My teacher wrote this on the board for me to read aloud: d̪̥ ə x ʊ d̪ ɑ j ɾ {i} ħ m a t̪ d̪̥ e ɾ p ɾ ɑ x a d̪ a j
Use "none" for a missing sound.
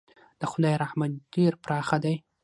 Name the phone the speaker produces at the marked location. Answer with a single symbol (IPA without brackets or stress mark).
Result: a